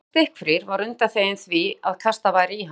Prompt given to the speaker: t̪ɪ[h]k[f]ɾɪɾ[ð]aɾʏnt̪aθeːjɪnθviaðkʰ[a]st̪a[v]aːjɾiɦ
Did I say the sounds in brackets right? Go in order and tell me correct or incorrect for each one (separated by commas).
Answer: correct, correct, incorrect, correct, correct